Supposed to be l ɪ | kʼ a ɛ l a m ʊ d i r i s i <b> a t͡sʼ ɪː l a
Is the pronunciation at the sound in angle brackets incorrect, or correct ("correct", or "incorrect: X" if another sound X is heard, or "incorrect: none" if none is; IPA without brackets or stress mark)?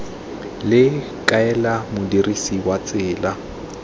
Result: incorrect: w